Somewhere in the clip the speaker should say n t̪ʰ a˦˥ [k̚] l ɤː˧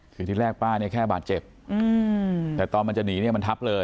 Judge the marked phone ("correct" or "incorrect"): incorrect